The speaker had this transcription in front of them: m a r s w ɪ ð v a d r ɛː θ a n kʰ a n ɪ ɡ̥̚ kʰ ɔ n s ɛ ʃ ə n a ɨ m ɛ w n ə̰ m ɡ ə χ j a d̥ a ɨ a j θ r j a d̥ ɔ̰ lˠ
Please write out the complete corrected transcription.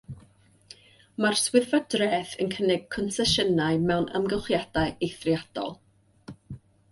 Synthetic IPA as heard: m a r s w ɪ ð v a d r ɛː θ ə n kʰ ə n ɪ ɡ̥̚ kʰ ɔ n s ɛ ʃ ə n a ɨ m ɛ w n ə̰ m ɡ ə χ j a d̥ a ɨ e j θ r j a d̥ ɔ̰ lˠ